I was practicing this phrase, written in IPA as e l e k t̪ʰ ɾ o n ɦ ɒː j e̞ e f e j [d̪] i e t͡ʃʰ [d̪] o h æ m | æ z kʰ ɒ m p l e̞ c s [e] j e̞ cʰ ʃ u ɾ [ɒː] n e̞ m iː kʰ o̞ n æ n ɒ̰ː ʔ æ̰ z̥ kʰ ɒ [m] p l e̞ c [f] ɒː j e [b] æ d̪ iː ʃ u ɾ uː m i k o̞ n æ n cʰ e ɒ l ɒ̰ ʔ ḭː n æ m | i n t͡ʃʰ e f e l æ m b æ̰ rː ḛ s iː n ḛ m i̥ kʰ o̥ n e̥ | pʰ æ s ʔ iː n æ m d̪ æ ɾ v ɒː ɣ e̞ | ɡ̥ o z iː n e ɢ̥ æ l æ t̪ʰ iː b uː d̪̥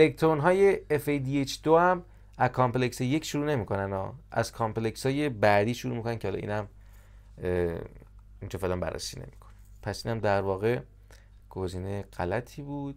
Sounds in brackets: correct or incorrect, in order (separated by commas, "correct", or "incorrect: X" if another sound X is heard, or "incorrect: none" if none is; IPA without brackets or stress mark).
correct, correct, correct, incorrect: uː, correct, incorrect: s, correct